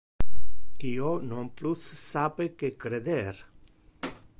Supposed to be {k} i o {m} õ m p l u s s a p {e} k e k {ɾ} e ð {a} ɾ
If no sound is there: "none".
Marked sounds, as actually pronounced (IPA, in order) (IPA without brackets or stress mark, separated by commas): k, n, e, ɾ, e